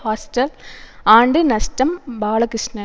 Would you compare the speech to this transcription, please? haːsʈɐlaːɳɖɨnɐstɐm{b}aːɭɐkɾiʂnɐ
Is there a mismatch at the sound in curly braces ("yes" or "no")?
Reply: no